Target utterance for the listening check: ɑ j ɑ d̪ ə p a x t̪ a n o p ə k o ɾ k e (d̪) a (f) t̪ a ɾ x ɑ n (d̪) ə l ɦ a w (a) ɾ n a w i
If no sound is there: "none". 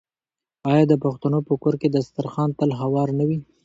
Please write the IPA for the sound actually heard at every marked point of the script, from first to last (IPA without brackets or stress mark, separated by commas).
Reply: d̪, s, t̪, ɑ